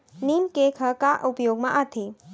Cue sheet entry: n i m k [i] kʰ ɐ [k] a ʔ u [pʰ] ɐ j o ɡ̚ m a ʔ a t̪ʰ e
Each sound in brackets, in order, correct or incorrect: incorrect: e, correct, incorrect: p

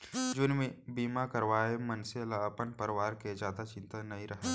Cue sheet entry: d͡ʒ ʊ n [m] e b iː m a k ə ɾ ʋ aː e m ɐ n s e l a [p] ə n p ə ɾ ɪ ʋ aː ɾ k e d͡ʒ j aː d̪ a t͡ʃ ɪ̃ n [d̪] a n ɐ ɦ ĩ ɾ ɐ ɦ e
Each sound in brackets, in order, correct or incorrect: correct, correct, incorrect: t̪

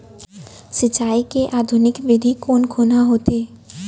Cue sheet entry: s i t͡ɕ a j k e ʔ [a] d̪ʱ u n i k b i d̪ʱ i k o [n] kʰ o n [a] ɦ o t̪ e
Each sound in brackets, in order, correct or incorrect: correct, correct, correct

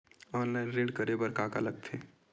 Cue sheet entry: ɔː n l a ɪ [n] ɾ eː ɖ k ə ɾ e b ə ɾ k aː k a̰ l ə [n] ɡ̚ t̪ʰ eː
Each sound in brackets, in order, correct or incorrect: correct, incorrect: none

